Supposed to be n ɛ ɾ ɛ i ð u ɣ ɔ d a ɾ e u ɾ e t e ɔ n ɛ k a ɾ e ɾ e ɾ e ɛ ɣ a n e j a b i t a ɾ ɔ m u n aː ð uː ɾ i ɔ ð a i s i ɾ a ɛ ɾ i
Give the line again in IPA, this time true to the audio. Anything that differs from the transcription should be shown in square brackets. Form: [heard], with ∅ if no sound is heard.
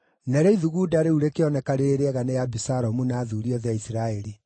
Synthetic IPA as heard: n ɛ ɾ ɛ i ð u ɣ [u] d a ɾ e u ɾ e [k] e ɔ n ɛ k a ɾ e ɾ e ɾ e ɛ ɣ a n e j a b i [s] a ɾ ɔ m u n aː ð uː ɾ i ɔ ð a i s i ɾ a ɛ ɾ i